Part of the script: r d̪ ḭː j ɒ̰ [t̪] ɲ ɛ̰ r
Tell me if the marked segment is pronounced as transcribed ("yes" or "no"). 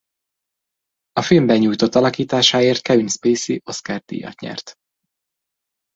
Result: yes